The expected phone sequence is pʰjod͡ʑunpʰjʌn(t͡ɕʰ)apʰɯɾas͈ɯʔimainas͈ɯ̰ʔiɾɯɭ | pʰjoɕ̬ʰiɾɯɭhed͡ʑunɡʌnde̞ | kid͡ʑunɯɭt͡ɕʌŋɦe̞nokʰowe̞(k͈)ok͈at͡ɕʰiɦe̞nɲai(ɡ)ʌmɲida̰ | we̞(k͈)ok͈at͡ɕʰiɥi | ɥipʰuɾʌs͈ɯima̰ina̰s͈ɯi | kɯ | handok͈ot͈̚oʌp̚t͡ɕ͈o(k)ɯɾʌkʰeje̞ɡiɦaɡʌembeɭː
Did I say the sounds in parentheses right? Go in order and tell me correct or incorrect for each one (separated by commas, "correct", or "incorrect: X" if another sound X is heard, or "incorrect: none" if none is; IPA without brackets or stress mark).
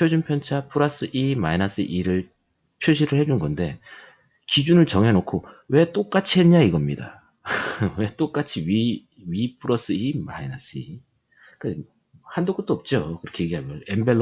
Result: correct, incorrect: t͈, correct, incorrect: t͈, correct